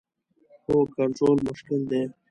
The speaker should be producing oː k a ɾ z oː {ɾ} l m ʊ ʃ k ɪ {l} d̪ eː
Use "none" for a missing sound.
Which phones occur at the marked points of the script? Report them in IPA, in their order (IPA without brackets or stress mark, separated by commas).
none, l